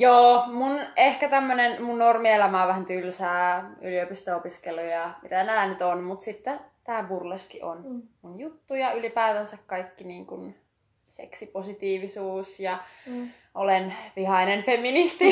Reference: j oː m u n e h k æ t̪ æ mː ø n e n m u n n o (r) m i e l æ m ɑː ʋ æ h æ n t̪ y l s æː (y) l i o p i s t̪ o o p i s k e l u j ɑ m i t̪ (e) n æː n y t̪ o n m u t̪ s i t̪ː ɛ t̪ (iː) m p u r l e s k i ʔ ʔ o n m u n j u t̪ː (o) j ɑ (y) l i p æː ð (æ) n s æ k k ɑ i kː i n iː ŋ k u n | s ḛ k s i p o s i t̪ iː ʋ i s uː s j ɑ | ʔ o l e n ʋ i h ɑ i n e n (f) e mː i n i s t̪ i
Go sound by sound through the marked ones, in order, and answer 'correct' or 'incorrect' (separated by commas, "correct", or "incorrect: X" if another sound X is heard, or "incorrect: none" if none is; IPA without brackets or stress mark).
correct, correct, incorrect: æ, incorrect: æː, incorrect: u, correct, correct, correct